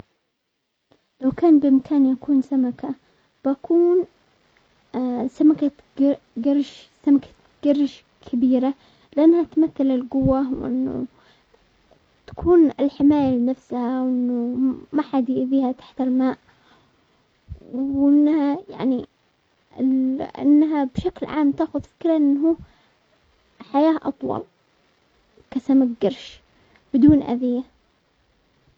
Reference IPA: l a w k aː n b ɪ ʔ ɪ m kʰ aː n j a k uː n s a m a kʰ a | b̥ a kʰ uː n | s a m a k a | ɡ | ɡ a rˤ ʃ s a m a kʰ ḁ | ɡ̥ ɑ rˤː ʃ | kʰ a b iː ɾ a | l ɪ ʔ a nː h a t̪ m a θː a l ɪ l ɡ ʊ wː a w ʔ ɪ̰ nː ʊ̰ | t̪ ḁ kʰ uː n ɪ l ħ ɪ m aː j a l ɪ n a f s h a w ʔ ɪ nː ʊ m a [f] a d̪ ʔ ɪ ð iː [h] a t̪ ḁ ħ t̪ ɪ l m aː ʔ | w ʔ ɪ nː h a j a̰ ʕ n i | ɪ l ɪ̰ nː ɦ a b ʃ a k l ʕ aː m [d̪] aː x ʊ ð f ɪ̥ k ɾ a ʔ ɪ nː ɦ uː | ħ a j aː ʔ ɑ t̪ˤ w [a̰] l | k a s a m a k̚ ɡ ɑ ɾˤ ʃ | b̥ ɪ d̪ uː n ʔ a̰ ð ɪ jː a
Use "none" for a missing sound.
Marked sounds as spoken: ħ, h, t̪, ɑ̰

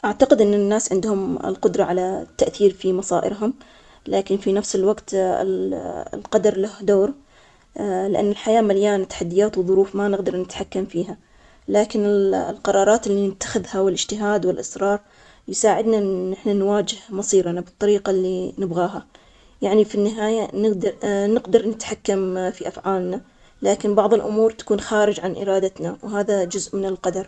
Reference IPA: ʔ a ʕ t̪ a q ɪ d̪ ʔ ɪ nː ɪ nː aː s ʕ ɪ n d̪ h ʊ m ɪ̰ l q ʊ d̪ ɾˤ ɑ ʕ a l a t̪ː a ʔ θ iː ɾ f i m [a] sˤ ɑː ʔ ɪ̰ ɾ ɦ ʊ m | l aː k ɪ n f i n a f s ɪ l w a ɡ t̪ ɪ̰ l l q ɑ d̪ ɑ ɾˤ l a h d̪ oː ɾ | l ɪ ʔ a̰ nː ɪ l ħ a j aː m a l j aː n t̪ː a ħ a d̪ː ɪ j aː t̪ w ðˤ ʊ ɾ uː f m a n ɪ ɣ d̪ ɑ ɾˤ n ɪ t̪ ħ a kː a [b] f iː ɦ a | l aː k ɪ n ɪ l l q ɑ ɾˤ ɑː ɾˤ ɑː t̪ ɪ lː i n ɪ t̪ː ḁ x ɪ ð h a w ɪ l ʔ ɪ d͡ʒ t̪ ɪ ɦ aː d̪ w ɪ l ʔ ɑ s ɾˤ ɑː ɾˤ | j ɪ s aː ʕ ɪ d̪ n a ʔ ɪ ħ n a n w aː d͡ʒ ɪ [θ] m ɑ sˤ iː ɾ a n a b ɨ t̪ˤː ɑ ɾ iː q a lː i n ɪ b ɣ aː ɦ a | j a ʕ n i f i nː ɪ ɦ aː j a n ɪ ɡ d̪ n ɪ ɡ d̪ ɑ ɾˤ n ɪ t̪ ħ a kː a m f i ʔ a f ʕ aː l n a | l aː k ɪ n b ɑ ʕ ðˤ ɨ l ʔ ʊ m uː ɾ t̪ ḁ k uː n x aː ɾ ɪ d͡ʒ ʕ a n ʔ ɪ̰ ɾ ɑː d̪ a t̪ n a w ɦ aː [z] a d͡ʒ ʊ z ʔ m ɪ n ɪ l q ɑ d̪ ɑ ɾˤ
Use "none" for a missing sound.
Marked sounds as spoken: ɑ, m, h, ð

